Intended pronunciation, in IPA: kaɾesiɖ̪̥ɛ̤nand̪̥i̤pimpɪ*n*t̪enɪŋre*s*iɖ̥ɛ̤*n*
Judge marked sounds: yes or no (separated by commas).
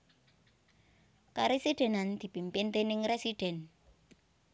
yes, yes, yes